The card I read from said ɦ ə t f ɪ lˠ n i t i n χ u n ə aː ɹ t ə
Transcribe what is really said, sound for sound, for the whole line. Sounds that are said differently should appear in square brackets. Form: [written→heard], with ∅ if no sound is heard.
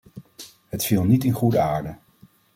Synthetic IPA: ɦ ə t f [ɪ→i] lˠ n i t [i→ɪ] n χ u [n→d] ə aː ɹ [t→d] ə